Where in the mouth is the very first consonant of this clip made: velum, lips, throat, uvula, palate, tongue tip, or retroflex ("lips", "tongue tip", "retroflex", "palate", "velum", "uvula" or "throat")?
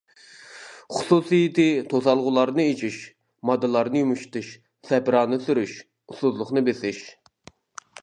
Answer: uvula